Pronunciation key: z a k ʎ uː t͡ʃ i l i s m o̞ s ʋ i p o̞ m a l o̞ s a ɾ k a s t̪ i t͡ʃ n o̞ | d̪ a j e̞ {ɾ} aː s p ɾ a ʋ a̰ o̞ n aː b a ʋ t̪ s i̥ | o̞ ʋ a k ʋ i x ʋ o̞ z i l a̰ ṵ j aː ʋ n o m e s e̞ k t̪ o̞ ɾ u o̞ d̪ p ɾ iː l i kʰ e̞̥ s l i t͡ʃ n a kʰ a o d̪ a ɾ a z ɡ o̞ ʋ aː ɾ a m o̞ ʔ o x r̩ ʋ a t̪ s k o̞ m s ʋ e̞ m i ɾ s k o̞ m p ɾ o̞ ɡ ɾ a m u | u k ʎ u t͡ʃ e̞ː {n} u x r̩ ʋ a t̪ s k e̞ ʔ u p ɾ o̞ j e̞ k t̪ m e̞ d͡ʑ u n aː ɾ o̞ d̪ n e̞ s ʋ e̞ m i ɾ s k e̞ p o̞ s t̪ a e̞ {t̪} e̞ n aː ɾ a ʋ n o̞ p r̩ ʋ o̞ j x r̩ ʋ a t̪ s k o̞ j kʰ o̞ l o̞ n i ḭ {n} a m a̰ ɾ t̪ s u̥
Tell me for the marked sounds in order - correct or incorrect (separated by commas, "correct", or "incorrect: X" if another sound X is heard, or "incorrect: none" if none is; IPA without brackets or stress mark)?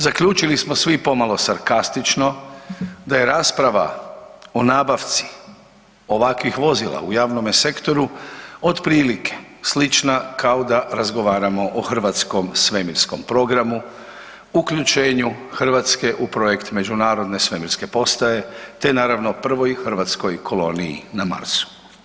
correct, incorrect: ɲ, correct, correct